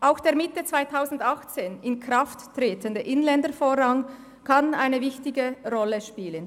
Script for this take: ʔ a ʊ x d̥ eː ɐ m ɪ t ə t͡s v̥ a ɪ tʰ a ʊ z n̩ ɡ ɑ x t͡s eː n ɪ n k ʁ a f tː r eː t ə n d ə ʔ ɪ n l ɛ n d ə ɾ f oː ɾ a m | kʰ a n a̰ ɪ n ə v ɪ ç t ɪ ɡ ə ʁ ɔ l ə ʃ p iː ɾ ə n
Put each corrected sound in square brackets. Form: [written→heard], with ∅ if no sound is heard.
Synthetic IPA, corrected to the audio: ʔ a ʊ x d̥ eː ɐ m ɪ t ə t͡s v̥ a ɪ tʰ a ʊ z n̩ [ɡ→d] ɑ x t͡s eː n ɪ n k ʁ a f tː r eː t ə n d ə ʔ ɪ n l ɛ n d ə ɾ f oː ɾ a [m→ŋ] | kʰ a n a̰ ɪ n ə v ɪ ç t ɪ ɡ ə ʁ ɔ l ə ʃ p iː [ɾ→l] ə n